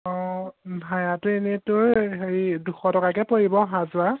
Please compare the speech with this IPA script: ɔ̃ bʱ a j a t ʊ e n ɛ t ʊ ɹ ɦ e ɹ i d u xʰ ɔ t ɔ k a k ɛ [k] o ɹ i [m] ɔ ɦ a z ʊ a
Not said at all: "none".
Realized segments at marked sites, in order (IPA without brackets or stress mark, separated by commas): p, b